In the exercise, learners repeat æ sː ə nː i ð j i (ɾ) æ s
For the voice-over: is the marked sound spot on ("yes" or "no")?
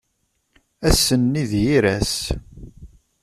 yes